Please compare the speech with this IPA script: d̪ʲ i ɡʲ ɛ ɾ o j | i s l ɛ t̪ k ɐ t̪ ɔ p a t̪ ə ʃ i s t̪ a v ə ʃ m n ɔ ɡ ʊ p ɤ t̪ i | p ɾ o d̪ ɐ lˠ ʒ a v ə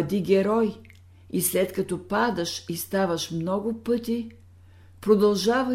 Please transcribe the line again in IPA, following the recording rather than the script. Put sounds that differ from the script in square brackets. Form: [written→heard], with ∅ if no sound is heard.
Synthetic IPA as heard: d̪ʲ i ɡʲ ɛ ɾ [o→ɔ] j | i s l ɛ t̪ k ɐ t̪ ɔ p a [t̪→d̪] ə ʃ i s t̪ a v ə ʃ m n ɔ ɡ ʊ p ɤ t̪ i | p ɾ o d̪ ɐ lˠ ʒ a v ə